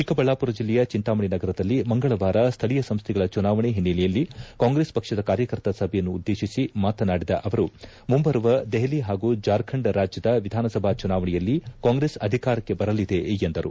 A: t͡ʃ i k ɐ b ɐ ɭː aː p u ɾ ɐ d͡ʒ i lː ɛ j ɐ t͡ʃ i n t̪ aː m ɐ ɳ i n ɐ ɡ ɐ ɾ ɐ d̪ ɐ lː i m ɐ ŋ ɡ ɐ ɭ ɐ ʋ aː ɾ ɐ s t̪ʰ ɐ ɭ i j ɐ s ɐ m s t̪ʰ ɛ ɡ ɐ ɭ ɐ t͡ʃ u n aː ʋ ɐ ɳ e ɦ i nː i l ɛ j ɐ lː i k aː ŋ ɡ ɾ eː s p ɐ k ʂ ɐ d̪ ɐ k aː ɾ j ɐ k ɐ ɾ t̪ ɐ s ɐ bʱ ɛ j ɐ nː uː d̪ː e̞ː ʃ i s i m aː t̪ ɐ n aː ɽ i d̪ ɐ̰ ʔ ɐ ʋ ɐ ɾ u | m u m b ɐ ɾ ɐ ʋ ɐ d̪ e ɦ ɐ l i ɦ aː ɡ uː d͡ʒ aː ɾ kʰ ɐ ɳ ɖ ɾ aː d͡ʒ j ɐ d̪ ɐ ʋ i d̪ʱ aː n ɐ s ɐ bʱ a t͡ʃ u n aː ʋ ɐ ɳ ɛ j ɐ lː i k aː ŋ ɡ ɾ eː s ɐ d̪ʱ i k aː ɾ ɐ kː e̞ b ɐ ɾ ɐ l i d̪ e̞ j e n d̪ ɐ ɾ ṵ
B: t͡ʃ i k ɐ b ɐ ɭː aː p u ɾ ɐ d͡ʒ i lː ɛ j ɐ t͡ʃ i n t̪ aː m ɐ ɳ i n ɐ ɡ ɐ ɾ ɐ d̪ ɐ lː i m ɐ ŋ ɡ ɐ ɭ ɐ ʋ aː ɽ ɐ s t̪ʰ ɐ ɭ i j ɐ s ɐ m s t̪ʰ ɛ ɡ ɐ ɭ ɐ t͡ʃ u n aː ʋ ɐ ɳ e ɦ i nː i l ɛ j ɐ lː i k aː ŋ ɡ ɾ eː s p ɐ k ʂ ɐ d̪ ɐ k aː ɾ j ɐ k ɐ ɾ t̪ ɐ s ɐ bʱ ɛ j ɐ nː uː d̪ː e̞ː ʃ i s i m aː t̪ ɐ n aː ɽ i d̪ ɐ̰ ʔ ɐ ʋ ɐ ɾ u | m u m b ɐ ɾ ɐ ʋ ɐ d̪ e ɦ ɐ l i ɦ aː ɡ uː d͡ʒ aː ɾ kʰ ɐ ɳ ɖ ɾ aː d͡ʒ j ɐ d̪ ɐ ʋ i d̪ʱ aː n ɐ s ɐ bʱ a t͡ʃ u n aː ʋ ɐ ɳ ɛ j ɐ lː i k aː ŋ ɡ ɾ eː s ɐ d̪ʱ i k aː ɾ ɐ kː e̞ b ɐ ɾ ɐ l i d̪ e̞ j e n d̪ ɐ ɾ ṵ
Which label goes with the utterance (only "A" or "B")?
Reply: A